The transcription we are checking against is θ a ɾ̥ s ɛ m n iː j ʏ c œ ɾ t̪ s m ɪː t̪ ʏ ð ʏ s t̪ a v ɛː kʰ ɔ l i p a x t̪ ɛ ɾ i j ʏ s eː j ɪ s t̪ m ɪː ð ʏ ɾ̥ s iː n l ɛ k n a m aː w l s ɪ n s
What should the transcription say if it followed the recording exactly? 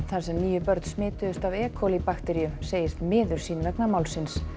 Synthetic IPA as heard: θ a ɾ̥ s ɛ m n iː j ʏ p œ ɾ t̪ s m ɪː t̪ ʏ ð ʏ s t̪ a v ɛː kʰ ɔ l i p a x t̪ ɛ ɾ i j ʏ s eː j ɪ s t̪ m ɪː ð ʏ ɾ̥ s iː n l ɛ k n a m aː w l s ɪ n s